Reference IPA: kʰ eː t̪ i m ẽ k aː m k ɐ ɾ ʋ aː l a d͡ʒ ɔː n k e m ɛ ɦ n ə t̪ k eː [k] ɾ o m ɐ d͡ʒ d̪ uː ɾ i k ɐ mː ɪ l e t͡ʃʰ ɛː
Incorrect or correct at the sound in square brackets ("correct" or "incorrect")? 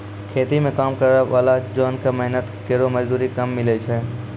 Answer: incorrect